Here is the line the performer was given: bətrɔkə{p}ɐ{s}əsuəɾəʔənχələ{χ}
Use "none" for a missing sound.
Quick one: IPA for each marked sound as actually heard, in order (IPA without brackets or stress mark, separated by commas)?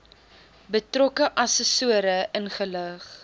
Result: ʔ, s, χ